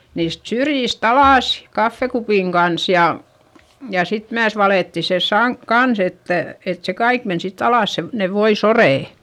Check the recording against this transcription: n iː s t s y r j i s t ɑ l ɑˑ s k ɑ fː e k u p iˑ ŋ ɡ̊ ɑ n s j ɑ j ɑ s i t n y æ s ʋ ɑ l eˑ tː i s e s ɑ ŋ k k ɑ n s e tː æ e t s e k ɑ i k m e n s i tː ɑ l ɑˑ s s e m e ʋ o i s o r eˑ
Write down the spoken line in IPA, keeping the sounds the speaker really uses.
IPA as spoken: n iː s t s y r j i s t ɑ l ɑˑ s k ɑ fː e k u p iˑ ŋ ɡ̊ ɑ n s j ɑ j ɑ s i t m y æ s ʋ ɑ l eˑ tː i s e s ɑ ŋ k k ɑ n s e tː æ e t s e k ɑ i k m e n s i tː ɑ l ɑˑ s s e n e ʋ o i s o r eˑ